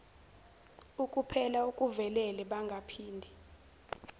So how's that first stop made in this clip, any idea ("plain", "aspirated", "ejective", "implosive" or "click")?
ejective